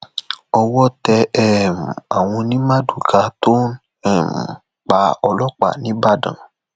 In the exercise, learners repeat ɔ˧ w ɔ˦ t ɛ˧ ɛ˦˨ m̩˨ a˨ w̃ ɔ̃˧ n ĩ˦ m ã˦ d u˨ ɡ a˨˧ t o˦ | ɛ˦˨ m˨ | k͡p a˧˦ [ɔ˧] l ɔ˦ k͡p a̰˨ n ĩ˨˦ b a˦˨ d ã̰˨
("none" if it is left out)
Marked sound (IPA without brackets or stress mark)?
ɔ˧